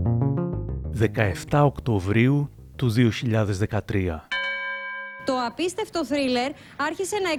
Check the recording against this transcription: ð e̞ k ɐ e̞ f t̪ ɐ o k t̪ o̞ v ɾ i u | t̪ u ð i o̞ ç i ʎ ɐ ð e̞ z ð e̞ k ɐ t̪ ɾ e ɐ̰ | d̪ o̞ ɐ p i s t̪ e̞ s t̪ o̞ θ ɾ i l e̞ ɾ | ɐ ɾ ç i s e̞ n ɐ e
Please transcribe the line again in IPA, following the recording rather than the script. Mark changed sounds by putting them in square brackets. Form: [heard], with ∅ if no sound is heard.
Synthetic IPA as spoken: ð e̞ k ɐ e̞ f t̪ ɐ o k t̪ o̞ v ɾ i u | t̪ u ð i o̞ ç i ʎ ɐ ð e̞ z ð e̞ k ɐ t̪ ɾ [i] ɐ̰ | [t̪] o̞ ɐ p i s t̪ e̞ [f] t̪ o̞ θ ɾ i l e̞ ɾ | ɐ ɾ ç i s e̞ n ɐ e